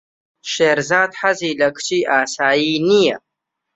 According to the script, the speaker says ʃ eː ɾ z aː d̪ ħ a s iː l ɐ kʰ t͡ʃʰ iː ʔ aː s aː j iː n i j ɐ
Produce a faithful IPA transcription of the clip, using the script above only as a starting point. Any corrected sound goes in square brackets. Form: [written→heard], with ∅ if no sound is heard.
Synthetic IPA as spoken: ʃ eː ɾ z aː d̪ ħ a [s→z] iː l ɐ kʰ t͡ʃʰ iː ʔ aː s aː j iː n i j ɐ